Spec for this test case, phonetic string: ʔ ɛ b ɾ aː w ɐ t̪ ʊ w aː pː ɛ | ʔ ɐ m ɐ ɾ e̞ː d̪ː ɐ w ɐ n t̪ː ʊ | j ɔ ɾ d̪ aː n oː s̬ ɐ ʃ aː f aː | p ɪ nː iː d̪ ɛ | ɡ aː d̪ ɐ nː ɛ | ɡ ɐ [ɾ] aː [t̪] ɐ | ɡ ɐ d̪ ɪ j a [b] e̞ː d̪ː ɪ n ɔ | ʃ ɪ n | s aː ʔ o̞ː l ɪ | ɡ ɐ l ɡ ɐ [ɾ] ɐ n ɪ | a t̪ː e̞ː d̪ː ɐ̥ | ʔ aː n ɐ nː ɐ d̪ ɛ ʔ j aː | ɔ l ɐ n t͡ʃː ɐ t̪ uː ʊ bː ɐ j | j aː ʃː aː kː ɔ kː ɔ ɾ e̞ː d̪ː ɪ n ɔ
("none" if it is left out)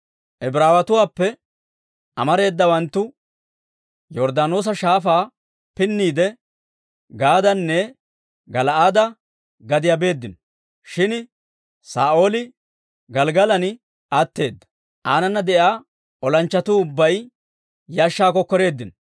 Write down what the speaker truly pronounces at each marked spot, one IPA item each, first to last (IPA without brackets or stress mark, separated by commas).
l, d̪, b, l